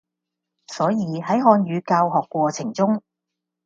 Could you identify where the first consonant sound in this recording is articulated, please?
alveolar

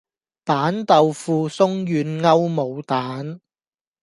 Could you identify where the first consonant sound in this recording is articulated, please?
labial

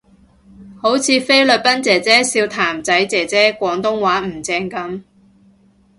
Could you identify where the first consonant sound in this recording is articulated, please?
glottal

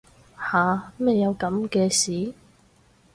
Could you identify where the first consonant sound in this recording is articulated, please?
glottal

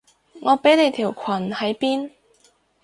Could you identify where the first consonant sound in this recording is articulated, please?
velar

